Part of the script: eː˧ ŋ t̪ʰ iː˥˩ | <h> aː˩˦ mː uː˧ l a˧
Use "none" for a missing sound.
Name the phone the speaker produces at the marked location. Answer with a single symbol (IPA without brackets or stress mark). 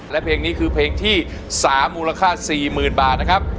s